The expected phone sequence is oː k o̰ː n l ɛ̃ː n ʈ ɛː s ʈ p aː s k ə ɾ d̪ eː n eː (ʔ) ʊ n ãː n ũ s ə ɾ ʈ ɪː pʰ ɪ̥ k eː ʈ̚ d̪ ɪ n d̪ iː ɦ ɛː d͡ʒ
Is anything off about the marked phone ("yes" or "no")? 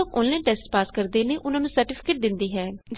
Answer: no